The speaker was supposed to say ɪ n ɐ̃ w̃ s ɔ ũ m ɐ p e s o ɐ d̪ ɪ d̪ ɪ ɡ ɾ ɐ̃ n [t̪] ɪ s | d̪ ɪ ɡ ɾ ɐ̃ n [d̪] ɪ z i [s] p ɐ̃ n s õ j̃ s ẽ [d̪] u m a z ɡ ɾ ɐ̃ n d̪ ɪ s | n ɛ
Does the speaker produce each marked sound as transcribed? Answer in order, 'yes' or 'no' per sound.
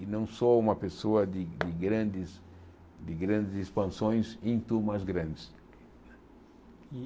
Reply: no, yes, yes, no

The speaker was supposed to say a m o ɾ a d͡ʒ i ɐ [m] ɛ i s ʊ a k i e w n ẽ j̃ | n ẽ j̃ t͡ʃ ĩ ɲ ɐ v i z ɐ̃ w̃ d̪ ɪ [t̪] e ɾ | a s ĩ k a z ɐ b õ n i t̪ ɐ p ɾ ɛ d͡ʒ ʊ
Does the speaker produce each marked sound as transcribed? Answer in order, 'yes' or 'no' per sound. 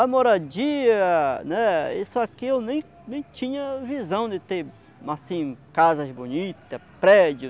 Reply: no, yes

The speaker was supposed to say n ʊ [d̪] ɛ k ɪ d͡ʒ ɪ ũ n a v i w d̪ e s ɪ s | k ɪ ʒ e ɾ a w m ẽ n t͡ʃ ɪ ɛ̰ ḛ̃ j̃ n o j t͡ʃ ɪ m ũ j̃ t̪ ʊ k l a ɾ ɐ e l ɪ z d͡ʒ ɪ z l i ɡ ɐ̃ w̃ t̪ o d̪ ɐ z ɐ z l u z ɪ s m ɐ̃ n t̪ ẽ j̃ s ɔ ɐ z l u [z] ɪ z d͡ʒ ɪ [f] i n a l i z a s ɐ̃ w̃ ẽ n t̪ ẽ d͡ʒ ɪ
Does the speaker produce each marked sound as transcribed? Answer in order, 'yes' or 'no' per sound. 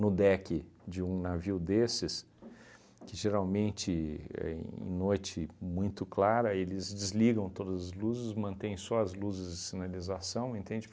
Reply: yes, yes, no

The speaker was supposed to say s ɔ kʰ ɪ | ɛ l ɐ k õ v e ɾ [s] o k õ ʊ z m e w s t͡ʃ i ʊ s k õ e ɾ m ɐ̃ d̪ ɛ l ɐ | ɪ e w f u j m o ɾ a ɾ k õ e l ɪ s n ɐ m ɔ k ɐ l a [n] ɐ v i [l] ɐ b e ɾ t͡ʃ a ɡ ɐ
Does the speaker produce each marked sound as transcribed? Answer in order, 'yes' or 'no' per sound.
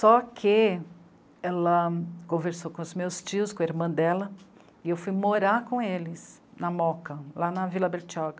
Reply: yes, yes, yes

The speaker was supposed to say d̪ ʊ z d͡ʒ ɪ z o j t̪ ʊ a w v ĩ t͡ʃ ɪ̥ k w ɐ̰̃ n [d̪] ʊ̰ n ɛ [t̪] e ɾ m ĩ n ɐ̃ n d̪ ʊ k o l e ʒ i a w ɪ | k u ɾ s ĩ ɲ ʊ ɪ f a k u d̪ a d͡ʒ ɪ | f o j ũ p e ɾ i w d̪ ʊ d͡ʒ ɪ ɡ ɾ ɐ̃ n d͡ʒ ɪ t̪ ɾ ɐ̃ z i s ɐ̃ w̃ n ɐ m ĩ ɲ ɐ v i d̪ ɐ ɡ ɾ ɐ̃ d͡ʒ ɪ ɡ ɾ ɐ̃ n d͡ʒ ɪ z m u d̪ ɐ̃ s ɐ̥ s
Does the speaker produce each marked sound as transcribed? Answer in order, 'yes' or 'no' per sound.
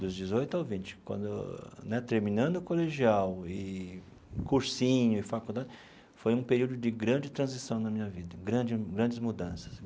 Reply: yes, yes

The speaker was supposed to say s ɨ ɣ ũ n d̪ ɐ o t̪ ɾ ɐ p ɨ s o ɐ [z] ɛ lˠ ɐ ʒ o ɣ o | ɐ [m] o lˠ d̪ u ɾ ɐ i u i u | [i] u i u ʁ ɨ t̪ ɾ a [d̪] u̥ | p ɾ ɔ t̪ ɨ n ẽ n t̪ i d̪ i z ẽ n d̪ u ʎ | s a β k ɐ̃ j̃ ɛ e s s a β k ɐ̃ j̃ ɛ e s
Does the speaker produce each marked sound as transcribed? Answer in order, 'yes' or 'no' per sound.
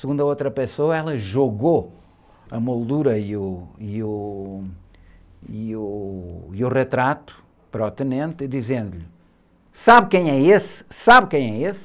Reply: no, yes, yes, no

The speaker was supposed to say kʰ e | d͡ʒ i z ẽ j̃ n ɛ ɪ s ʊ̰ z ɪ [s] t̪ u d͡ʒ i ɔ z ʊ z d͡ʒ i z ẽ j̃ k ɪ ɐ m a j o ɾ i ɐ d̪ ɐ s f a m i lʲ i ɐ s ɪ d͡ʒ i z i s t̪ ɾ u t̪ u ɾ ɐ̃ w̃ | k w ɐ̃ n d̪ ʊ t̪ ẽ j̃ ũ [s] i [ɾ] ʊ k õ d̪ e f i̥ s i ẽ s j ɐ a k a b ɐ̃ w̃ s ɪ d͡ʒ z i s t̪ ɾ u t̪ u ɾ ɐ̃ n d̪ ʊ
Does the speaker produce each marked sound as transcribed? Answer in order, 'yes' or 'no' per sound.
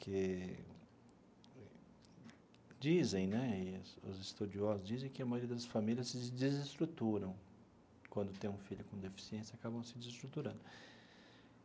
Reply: yes, no, no

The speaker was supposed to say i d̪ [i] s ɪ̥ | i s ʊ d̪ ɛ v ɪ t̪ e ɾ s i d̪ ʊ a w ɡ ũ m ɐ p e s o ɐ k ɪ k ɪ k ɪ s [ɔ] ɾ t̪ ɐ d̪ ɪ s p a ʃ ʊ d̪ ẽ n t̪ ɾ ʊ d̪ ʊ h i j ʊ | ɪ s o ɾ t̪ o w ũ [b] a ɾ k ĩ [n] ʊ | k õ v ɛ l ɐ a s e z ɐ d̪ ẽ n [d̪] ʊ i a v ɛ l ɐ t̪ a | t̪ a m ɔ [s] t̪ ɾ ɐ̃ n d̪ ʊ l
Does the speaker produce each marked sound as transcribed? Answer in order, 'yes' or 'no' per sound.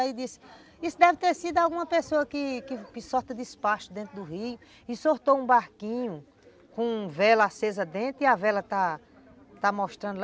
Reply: yes, yes, yes, no, no, no

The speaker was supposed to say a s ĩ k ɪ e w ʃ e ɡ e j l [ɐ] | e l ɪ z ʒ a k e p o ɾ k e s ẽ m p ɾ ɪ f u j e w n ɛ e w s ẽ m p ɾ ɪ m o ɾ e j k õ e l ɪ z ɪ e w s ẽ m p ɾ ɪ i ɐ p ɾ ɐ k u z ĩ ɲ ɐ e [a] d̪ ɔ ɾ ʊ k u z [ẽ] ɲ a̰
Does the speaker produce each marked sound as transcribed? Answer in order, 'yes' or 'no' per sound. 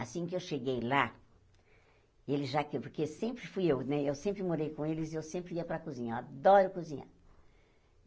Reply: no, yes, no

